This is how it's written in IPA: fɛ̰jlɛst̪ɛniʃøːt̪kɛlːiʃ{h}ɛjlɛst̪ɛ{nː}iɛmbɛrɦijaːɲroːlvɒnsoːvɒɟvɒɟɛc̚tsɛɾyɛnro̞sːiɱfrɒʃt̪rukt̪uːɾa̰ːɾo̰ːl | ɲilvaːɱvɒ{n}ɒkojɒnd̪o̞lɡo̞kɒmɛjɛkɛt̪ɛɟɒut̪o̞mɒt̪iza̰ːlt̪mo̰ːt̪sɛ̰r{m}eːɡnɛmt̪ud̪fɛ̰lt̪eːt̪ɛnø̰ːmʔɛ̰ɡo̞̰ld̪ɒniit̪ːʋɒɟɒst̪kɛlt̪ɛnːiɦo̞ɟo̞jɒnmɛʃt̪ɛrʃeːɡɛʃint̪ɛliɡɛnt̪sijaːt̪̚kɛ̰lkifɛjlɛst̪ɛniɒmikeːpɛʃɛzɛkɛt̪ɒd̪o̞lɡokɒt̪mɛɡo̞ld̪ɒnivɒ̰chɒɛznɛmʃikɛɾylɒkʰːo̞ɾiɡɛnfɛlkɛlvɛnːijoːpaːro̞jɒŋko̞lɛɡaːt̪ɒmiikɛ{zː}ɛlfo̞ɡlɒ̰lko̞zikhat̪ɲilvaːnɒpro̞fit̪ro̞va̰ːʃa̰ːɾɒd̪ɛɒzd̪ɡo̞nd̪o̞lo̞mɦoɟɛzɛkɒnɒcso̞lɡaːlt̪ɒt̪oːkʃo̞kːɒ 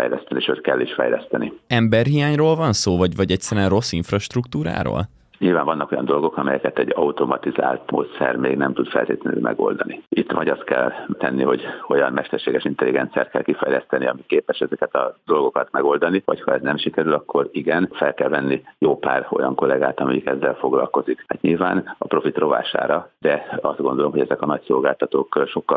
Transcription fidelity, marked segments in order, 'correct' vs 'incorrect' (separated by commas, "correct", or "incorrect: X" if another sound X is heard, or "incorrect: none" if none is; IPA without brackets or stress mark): incorrect: f, incorrect: n, incorrect: nː, correct, correct